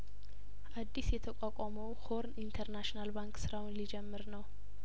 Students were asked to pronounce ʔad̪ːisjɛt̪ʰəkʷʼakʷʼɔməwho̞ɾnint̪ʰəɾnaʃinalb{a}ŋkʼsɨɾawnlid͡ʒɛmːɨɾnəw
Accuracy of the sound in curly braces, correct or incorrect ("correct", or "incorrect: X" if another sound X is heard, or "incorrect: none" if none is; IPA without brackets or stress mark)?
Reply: correct